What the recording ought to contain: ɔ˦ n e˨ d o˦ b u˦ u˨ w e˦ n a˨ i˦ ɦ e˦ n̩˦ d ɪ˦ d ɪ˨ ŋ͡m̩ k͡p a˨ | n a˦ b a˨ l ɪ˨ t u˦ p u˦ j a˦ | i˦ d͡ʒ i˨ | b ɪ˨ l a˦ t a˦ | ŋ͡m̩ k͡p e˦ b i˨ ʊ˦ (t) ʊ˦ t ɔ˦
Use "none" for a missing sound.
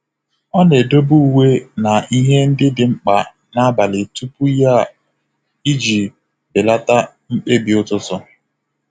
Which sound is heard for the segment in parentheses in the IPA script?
t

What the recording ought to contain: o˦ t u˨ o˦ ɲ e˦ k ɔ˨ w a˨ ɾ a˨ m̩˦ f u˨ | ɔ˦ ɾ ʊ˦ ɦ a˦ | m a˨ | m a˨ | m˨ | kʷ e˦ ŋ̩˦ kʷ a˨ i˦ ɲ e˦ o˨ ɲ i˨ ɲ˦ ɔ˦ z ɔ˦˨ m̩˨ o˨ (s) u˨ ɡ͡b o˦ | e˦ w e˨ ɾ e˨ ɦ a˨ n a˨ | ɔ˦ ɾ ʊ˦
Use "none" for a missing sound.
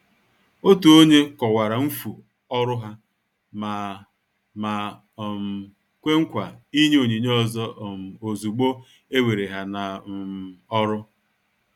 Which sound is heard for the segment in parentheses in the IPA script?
z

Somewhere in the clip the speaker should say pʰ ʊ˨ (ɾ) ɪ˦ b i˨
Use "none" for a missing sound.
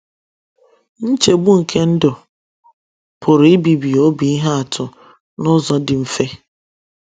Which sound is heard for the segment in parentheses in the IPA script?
ɾ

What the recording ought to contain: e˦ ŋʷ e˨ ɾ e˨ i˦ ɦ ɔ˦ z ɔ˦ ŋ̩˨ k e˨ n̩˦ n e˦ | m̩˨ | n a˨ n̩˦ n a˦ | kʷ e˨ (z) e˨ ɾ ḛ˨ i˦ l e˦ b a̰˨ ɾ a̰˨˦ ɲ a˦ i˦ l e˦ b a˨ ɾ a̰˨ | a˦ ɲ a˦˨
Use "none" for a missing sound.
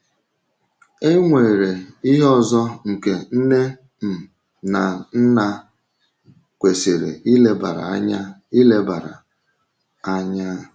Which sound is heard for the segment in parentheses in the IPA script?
s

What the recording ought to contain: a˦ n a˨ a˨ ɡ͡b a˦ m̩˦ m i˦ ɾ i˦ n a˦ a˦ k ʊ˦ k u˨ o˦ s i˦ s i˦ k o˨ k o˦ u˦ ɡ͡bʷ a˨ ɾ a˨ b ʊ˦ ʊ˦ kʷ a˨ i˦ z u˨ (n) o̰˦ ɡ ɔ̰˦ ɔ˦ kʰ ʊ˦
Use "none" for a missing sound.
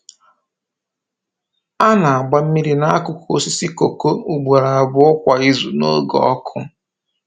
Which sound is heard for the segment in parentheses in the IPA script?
n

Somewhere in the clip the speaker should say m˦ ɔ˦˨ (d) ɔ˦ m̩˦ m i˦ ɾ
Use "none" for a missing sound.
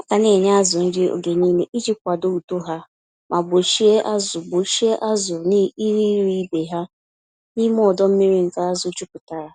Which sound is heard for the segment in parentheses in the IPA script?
d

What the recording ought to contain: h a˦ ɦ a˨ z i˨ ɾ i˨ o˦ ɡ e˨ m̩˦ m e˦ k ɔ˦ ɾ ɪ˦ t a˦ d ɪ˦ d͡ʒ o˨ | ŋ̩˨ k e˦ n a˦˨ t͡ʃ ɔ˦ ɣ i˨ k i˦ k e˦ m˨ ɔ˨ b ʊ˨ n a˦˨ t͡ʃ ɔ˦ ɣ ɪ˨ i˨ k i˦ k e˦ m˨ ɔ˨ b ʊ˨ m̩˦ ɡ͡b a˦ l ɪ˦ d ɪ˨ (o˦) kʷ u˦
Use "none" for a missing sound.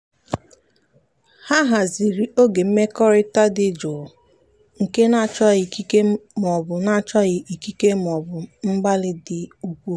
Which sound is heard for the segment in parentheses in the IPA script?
u˦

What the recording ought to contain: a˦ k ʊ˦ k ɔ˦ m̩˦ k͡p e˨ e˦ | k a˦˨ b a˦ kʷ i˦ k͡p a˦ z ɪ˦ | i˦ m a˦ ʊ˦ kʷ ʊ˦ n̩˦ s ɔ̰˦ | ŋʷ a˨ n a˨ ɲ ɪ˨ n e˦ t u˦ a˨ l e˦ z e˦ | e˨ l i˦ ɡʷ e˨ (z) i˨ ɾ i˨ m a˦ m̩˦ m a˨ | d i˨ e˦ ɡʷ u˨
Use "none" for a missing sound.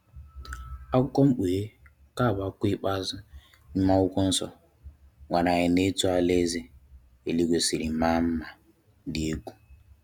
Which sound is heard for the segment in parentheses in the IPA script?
s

